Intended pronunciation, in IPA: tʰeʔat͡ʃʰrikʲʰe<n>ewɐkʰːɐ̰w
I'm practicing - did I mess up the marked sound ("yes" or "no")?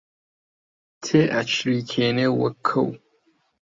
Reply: no